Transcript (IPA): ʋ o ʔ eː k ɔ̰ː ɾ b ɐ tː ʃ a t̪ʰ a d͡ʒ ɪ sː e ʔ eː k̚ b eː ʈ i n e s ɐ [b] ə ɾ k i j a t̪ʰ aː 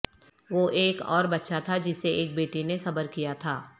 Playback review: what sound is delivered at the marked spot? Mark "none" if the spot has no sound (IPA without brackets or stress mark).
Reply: b